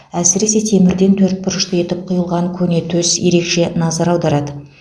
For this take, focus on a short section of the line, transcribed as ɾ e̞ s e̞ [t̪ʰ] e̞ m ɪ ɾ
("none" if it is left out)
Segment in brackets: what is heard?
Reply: t̪ʰ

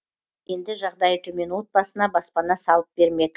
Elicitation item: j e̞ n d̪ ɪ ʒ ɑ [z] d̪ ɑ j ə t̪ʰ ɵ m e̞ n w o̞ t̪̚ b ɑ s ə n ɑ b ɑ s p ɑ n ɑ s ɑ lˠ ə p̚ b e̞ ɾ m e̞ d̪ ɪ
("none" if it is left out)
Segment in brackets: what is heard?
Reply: ʁ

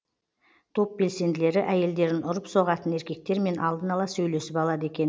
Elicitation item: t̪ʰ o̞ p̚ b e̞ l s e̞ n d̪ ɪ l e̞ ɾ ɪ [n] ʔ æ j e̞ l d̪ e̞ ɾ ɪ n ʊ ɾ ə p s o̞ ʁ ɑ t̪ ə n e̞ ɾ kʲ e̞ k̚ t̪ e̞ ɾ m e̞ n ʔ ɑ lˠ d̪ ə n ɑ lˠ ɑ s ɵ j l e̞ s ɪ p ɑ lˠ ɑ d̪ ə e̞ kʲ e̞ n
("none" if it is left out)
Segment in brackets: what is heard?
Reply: none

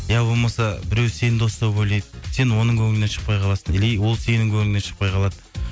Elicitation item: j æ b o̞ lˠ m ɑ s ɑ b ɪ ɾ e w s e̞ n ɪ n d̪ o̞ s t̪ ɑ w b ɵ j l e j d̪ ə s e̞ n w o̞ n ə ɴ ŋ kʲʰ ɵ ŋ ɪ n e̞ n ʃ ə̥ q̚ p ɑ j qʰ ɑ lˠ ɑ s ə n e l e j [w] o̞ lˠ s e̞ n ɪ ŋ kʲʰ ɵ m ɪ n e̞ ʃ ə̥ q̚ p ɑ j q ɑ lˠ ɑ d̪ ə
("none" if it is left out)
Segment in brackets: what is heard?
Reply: w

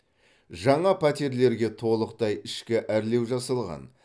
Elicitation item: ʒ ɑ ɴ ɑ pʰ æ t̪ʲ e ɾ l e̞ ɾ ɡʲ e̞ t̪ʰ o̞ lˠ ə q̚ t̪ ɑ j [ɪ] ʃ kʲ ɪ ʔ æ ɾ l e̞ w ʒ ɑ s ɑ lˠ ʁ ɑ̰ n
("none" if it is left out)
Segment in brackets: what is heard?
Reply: ɪ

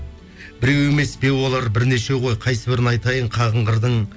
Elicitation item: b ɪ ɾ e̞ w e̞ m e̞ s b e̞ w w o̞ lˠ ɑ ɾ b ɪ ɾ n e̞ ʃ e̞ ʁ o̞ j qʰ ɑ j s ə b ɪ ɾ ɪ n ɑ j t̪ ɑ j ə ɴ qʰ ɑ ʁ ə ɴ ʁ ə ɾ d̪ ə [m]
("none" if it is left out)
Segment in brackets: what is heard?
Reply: ɴ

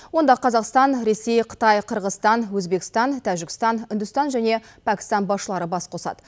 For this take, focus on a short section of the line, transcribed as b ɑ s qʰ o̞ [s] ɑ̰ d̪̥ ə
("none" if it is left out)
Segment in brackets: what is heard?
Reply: s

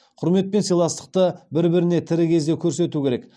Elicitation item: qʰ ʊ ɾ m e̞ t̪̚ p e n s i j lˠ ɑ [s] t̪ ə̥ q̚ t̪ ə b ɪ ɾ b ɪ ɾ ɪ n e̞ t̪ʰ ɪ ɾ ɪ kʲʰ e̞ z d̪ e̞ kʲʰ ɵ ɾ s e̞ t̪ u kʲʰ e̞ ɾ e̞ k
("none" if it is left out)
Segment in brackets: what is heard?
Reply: s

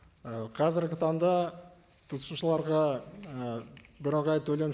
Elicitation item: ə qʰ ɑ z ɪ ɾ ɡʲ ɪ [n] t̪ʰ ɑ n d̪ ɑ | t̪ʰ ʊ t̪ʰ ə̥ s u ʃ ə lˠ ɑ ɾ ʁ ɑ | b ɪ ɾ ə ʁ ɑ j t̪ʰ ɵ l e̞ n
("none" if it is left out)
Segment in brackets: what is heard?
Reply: none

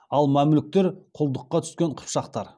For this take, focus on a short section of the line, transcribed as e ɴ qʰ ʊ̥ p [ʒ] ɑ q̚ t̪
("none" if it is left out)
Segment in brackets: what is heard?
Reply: ʃ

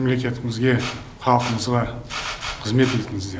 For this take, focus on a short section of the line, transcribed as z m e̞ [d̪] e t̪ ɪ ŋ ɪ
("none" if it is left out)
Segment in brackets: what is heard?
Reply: t̪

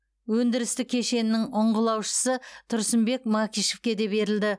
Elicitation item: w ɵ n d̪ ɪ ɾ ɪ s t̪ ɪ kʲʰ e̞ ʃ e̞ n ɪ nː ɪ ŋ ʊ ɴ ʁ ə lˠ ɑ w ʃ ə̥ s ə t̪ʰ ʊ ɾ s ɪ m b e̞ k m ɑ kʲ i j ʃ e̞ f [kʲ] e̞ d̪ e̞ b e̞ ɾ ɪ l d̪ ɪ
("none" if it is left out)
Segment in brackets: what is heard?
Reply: kʲ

